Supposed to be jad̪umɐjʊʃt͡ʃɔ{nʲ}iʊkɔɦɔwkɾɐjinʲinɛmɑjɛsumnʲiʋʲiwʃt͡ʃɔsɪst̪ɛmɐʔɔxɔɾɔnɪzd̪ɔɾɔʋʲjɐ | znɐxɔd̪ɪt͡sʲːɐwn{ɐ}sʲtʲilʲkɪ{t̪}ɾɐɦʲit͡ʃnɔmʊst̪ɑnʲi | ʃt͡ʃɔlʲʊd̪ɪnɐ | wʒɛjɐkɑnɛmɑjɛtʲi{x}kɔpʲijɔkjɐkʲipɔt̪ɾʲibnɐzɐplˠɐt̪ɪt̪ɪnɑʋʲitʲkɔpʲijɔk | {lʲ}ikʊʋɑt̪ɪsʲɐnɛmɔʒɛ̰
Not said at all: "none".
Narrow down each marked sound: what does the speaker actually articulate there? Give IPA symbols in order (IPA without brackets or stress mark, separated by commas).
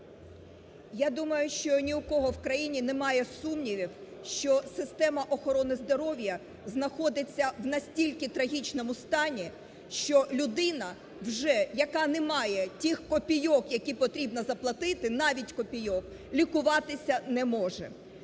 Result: nʲ, ɐ, t̪, x, lʲ